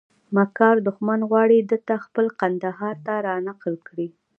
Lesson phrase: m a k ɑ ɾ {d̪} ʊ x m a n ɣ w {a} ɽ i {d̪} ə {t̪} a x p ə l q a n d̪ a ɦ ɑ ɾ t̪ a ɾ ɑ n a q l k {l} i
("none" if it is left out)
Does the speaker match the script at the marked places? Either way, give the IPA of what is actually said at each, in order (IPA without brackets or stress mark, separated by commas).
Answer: d̪, ɑ, d̪, t̪, ɽ